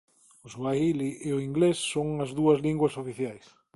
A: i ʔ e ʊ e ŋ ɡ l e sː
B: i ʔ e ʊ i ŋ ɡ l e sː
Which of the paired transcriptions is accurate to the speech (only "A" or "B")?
B